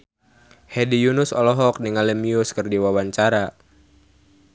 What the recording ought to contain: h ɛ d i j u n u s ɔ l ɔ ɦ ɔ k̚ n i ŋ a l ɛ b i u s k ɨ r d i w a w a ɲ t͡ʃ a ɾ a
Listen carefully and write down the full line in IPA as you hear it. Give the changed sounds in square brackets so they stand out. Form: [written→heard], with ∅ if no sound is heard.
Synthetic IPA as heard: h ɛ d i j u n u s ɔ l ɔ ɦ ɔ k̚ n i ŋ a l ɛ [b→m] i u s k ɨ r d i w a w a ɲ t͡ʃ a ɾ a